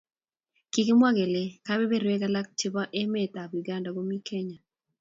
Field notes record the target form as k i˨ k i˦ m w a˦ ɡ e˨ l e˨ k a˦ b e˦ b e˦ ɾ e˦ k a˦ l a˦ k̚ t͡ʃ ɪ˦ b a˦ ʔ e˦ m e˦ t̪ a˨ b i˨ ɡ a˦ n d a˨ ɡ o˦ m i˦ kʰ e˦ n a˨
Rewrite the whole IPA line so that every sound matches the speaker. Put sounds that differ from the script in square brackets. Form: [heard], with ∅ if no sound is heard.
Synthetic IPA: k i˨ k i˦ m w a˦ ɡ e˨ l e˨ k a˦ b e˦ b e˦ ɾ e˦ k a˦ l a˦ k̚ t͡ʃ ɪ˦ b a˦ ʔ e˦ m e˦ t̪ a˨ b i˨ ɡ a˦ n d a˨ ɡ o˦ m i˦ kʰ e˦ [ɲ] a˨